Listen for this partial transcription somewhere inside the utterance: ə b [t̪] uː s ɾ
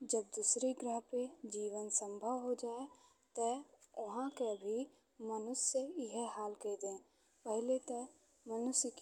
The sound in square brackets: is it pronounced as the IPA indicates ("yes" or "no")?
no